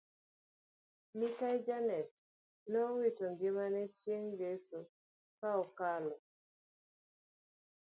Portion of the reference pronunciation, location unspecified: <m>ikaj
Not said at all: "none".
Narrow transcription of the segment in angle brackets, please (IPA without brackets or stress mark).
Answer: m